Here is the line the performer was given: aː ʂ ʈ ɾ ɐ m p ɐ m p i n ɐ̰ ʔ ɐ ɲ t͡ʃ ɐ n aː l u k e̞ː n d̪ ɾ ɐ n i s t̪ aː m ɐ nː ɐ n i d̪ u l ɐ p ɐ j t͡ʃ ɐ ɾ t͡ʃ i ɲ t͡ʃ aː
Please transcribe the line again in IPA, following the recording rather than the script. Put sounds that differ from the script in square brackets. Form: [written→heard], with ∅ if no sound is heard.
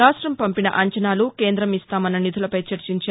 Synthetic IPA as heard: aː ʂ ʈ ɾ ɐ m p ɐ m p i n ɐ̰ ʔ ɐ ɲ t͡ʃ ɐ n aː l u k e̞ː n d̪ ɾ ɐ [n→m] i s t̪ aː m ɐ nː ɐ n i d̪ u l ɐ p ɐ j t͡ʃ ɐ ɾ t͡ʃ i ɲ t͡ʃ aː